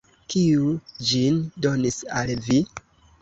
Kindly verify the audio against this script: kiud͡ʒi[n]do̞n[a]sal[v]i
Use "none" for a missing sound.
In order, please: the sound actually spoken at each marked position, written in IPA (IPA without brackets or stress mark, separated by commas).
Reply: n, i, v